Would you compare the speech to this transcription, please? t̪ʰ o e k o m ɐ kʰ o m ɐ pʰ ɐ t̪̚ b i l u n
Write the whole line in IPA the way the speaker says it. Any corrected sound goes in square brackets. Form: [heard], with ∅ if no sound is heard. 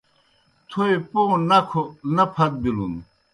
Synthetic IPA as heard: t̪ʰ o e [p] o [n] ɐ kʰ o [n] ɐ pʰ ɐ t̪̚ b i l u n